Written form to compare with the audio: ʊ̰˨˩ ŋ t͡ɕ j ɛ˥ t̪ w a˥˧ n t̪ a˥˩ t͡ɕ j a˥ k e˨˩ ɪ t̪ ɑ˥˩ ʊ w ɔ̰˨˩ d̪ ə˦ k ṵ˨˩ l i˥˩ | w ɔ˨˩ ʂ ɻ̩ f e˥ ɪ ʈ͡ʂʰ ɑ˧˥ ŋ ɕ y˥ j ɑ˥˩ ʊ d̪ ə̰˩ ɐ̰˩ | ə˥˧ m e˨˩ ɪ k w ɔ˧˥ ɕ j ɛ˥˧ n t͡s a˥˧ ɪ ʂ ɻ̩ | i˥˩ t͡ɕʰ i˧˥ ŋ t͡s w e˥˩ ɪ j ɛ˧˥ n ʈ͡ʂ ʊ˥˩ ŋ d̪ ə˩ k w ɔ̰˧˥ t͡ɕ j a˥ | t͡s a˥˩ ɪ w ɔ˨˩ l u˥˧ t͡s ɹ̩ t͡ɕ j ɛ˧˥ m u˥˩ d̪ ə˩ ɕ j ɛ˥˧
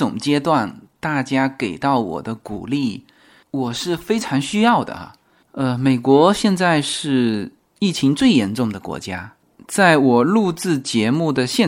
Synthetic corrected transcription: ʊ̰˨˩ ŋ t͡ɕ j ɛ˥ t̪ w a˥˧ n t̪ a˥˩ t͡ɕ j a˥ k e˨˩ ɪ t̪ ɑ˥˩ ʊ w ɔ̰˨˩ d̪ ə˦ k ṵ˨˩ l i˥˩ | w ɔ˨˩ ʂ ɻ̩ f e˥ ɪ ʈ͡ʂʰ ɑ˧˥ ŋ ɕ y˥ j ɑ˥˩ ʊ d̪ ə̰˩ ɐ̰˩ | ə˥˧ m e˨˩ ɪ k w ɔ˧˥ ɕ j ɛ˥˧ n t͡s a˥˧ ɪ ʂ ɻ̩ | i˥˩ t͡ɕʰ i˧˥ ŋ t͡s w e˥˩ ɪ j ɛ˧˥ n ʈ͡ʂ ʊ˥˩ ŋ d̪ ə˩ k w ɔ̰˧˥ t͡ɕ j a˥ | t͡s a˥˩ ɪ w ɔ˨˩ l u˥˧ t͡s ɹ̩ t͡ɕ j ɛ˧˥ m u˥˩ d̪ ə˩ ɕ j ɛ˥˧